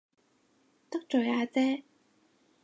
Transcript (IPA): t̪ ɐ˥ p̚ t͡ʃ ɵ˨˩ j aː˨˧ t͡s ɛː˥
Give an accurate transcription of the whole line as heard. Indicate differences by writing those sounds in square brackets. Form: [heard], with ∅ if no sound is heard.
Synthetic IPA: t̪ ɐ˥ [k̚] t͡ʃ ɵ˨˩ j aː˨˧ t͡s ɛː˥

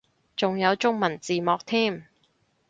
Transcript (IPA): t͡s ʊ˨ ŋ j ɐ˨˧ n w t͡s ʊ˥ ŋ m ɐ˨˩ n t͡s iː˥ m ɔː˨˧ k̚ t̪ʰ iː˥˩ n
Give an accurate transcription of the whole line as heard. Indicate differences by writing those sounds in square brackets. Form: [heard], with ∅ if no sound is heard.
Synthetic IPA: t͡s ʊ˨ ŋ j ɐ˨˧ [∅] w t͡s ʊ˥ ŋ m ɐ˨˩ n t͡s [iː˨] m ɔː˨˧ k̚ t̪ʰ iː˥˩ [m]

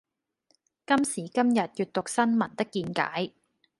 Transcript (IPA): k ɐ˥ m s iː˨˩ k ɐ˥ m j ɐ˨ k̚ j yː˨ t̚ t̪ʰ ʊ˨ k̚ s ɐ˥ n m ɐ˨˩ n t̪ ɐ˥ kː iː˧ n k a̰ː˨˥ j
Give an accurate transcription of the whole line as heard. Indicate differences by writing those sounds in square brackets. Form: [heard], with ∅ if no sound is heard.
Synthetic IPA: k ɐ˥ m s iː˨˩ k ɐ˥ m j ɐ˨ [t̚] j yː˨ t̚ [t̪] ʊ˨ k̚ s ɐ˥ n m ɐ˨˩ n t̪ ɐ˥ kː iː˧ n k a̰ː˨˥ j

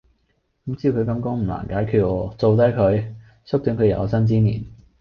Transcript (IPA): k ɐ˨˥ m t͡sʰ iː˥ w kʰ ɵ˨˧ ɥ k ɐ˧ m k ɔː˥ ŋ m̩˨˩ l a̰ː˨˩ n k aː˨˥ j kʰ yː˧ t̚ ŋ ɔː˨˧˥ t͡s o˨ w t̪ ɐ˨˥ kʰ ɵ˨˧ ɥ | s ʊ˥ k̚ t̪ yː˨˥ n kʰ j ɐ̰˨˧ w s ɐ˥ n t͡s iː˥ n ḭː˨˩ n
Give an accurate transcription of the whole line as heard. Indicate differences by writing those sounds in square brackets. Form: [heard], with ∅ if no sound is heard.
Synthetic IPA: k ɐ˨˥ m [t͡s] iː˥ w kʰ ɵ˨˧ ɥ k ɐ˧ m k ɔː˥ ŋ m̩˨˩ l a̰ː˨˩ n k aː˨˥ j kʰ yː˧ t̚ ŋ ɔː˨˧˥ t͡s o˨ w t̪ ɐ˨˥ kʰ ɵ˨˧ ɥ | s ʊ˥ k̚ t̪ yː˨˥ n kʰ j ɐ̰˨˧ w s ɐ˥ n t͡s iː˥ n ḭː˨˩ n

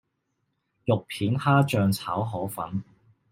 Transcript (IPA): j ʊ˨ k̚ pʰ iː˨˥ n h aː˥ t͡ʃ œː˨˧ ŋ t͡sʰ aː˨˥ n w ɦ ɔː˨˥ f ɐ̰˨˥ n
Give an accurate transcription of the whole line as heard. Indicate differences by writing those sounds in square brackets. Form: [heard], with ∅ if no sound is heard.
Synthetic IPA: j ʊ˨ k̚ pʰ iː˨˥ n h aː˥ t͡ʃ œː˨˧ ŋ t͡sʰ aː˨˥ [∅] w ɦ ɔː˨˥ f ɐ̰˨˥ n

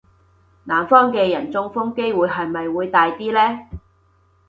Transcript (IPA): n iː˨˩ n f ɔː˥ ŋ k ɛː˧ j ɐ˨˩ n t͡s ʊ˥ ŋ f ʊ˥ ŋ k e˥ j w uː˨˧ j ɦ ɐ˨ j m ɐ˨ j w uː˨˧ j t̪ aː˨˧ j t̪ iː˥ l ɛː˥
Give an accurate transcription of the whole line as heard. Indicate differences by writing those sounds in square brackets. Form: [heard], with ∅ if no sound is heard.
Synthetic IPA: n [aː˨˩] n f ɔː˥ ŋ k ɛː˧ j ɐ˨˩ n t͡s ʊ˥ ŋ f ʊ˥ ŋ k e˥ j w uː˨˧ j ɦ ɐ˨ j m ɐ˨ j w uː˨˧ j t̪ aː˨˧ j t̪ iː˥ l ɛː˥

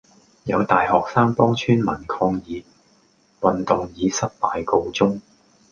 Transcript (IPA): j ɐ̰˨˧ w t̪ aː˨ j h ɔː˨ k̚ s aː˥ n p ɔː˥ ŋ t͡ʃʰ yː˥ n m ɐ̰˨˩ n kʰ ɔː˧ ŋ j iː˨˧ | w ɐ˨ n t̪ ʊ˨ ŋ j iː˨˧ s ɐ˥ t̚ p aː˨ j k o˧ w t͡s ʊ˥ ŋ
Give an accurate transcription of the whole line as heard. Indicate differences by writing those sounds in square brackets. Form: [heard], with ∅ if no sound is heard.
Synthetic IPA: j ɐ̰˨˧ w t̪ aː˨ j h ɔː˨ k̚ s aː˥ [ŋ] p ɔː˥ ŋ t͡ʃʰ yː˥ n m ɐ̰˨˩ n kʰ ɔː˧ ŋ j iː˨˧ | w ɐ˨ n t̪ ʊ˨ ŋ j iː˨˧ s ɐ˥ t̚ p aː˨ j k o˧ w t͡s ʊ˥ ŋ

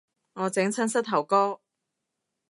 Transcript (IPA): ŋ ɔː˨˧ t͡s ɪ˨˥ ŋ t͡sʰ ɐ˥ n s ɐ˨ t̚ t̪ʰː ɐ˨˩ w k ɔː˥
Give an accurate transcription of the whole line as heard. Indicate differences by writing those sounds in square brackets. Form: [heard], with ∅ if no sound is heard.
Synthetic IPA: ŋ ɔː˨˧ t͡s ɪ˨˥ ŋ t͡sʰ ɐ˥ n s [ɐ˥] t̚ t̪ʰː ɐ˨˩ w k ɔː˥

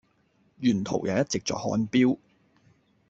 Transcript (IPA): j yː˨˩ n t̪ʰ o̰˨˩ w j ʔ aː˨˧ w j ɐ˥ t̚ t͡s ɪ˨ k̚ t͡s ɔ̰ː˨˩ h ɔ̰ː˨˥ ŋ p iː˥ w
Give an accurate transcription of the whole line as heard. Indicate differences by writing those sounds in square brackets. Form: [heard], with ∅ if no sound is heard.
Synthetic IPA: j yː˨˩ n t̪ʰ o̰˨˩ w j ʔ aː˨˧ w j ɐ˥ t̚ t͡s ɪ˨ k̚ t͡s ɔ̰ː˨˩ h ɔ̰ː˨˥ [n] p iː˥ w

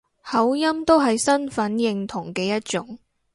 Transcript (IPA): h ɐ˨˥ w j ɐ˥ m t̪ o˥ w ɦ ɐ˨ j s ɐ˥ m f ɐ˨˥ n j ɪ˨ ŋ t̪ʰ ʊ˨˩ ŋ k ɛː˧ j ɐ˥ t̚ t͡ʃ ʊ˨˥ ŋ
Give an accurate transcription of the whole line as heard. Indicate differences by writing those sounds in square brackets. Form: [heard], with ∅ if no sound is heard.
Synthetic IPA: h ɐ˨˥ w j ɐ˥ m t̪ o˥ w ɦ ɐ˨ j s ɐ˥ [n] f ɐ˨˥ n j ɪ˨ ŋ t̪ʰ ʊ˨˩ ŋ k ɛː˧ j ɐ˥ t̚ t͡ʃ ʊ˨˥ ŋ

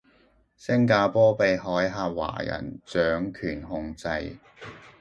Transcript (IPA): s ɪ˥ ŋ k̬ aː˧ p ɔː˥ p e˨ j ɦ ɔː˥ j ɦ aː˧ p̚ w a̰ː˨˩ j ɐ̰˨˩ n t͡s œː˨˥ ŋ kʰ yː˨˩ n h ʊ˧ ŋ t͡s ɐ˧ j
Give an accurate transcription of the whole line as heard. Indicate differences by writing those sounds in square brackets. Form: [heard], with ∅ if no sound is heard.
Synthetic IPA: s ɪ˥ ŋ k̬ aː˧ p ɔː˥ p e˨ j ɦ [ɔː˨˥] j ɦ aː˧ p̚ w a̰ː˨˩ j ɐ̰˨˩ n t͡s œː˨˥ ŋ kʰ yː˨˩ n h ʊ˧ ŋ t͡s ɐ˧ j

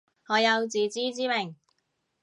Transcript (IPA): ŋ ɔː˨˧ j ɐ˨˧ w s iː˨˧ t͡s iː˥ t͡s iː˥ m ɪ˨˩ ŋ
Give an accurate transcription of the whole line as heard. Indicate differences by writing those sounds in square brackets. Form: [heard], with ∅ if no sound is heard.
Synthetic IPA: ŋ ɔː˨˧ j ɐ˨˧ w [t͡s] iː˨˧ t͡s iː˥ t͡s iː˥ m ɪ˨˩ ŋ

